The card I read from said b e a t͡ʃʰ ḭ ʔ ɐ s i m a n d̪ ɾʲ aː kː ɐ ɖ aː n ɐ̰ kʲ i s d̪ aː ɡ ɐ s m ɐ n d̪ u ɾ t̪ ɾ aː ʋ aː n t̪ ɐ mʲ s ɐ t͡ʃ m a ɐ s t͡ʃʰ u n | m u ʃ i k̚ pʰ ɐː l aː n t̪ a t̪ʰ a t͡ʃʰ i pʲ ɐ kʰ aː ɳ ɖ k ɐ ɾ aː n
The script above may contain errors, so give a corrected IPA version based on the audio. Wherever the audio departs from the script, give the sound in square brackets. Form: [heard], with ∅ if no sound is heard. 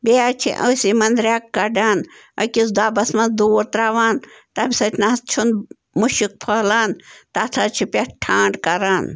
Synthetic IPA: b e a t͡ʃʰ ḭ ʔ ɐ s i m [ɐ] n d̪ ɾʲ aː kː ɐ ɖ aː n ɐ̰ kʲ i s d̪ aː [b] ɐ s m ɐ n d̪ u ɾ t̪ ɾ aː ʋ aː n t̪ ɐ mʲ s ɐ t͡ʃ [n] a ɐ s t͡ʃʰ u n | m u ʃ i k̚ pʰ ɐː l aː n t̪ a t̪ʰ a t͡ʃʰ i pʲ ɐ [ʈʰ] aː ɳ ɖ k ɐ ɾ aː n

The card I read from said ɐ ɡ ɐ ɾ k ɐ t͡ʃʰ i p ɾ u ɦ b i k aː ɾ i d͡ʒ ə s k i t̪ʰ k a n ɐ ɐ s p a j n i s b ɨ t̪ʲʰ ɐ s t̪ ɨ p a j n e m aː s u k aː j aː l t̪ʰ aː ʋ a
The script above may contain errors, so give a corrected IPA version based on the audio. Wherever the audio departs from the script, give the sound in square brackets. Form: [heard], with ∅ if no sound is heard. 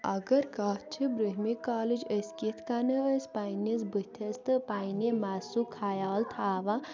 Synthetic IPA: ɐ ɡ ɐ ɾ k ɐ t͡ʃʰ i [b] ɾ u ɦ [m] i k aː [l] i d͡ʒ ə s k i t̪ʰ k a n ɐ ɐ s p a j n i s b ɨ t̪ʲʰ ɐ s t̪ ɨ p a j n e m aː s u [kʰ] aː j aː l t̪ʰ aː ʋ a

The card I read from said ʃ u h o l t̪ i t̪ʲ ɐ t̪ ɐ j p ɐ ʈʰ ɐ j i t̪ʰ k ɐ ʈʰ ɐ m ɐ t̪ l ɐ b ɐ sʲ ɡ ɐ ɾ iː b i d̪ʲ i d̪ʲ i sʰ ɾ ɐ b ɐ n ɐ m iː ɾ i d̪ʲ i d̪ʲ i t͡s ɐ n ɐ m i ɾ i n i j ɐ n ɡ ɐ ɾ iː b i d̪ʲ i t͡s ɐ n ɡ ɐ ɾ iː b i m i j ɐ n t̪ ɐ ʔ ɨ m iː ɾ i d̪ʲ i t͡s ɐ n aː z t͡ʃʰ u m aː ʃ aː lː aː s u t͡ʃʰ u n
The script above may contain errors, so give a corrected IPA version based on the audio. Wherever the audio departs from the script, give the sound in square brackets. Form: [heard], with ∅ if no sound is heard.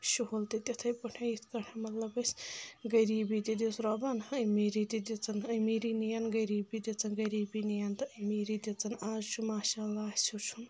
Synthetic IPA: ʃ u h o l t̪ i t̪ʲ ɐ [t̪ʰ] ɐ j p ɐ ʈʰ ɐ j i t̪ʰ k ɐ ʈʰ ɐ m ɐ t̪ l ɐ b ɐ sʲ ɡ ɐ ɾ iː b i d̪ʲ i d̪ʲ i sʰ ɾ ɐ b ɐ n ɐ m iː ɾ i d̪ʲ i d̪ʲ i t͡s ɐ n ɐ m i ɾ i n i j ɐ n ɡ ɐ ɾ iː b i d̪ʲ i t͡s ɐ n ɡ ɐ ɾ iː b i [n] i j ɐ n t̪ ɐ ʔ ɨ m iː ɾ i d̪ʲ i t͡s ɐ n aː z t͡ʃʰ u m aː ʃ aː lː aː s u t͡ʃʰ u n

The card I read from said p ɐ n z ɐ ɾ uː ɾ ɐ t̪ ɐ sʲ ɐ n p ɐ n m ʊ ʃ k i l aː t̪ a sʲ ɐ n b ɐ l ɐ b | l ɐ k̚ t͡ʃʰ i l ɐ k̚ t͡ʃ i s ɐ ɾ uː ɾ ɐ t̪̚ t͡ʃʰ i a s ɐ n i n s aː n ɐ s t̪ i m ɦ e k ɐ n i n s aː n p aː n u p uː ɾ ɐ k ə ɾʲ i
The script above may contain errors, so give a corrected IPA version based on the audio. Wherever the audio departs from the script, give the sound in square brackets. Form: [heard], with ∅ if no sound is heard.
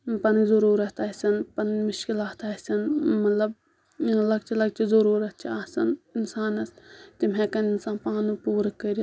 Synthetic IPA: p ɐ n z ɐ ɾ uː ɾ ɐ t̪ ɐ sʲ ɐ n p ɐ n m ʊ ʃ k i l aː t̪ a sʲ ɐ n [m] ɐ l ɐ b | l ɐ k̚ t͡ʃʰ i l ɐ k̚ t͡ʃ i [z] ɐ ɾ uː ɾ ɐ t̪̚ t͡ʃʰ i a s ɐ n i n s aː n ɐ s t̪ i m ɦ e k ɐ n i n s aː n p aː n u p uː ɾ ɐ k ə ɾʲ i

